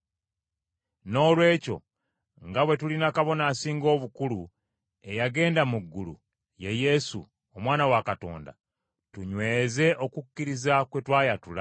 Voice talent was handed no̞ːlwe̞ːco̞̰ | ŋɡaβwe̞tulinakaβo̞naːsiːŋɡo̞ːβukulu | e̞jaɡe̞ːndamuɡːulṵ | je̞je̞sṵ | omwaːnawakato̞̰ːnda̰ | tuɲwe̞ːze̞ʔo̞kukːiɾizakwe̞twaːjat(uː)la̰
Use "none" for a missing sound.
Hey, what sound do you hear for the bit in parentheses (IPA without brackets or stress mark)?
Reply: u